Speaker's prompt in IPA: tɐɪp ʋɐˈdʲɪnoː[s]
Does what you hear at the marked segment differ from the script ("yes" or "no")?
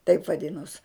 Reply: no